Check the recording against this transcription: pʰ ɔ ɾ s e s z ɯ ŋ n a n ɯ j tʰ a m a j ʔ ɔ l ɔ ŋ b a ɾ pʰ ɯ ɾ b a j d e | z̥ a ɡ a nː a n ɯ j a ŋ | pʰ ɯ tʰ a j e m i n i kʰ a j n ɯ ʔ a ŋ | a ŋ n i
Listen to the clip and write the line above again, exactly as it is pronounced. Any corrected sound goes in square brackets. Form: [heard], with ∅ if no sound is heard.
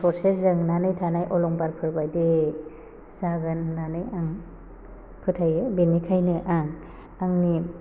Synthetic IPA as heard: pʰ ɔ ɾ s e s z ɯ ŋ n a n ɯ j tʰ a [n] a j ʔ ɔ l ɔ ŋ b a ɾ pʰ ɯ ɾ b a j d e | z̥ a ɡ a nː a n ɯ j a ŋ | pʰ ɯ tʰ a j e [b] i n i kʰ a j n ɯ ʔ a ŋ | a ŋ n i

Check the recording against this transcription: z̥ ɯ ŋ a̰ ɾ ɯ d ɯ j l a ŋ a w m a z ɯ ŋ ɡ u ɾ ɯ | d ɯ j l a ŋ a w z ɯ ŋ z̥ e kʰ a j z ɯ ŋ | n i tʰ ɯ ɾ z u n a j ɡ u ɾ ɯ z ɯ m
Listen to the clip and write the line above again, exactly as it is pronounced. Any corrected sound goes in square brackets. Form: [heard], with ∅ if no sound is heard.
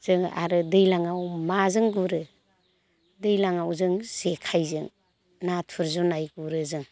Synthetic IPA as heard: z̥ ɯ ŋ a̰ ɾ ɯ d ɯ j l a ŋ a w m a z ɯ ŋ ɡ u ɾ ɯ | d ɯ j l a ŋ a w z ɯ ŋ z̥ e kʰ a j z ɯ ŋ | n [a] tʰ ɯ ɾ z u n a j ɡ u ɾ ɯ z ɯ [ŋ]

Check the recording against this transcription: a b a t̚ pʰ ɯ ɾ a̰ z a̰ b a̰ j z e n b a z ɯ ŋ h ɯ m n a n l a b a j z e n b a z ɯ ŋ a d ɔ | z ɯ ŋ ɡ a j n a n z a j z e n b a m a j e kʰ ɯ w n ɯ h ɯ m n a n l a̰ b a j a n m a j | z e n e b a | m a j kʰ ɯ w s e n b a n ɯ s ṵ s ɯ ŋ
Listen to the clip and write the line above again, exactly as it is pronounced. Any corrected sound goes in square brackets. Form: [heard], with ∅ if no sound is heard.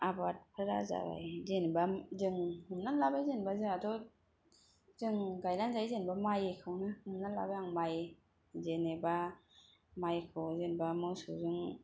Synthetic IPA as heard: a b a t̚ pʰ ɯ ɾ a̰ z a̰ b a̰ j z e n b a z ɯ ŋ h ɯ m n a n l a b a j z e n b a z ɯ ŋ a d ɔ | z ɯ ŋ ɡ a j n a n z a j z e n b a m a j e kʰ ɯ w n ɯ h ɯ m n a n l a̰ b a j a [ŋ] m a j | z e n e b a | m a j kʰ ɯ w [z] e n b a [m] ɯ s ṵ [z] ɯ ŋ

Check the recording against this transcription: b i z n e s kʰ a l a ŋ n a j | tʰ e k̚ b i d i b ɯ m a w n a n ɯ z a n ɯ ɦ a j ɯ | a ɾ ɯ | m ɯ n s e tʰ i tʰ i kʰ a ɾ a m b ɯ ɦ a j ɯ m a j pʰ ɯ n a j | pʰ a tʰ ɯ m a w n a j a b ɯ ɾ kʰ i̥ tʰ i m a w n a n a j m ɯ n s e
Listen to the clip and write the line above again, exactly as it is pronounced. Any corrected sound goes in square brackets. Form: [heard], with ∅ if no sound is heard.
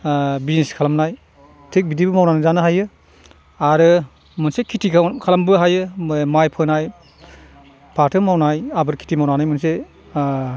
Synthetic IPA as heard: b i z n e s kʰ a l a [m] n a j | tʰ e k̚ b i d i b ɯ m a w n a n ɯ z a n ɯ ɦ a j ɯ | a ɾ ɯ | m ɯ n s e [kʰ] i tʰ i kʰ a [l] a m b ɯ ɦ a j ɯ m a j pʰ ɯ n a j | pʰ a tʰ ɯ m a w n a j a b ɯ ɾ kʰ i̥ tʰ i m a w n a n a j m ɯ n s e

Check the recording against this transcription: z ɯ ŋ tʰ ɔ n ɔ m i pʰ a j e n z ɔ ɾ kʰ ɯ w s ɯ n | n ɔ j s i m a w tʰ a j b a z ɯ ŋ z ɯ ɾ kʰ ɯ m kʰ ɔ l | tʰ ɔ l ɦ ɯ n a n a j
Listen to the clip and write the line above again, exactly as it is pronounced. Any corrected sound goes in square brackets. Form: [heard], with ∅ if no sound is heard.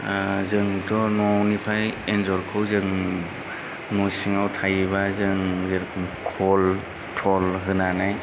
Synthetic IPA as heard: z ɯ ŋ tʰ ɔ n ɔ [n] i pʰ a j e n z ɔ ɾ kʰ ɯ w [z] ɯ [ŋ] | n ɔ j s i [ŋ] a w tʰ a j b a z ɯ ŋ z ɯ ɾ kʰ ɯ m kʰ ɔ l | tʰ ɔ l ɦ ɯ n a n a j

